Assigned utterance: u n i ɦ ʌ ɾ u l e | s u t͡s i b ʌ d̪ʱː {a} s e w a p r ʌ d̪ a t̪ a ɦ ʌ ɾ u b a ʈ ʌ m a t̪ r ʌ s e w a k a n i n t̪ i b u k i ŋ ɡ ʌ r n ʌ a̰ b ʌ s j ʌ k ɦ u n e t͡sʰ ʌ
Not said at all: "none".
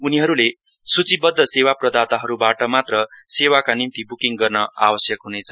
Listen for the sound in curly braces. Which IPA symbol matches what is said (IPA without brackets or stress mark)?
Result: ʌ